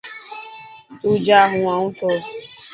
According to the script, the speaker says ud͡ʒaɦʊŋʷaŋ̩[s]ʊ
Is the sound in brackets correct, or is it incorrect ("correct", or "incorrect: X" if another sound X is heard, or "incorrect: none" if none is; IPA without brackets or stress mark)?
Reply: incorrect: t